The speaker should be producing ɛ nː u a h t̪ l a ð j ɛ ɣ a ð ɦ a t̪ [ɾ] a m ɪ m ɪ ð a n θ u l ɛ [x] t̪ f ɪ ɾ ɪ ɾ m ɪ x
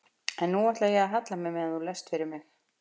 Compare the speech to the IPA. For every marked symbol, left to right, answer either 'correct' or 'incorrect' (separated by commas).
incorrect, incorrect